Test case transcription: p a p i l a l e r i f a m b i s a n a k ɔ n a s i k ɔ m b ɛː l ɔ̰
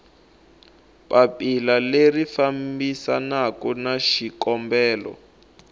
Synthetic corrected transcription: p a p i l a l e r i f a m b i s a n a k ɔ n a ʃ i k ɔ m b ɛː l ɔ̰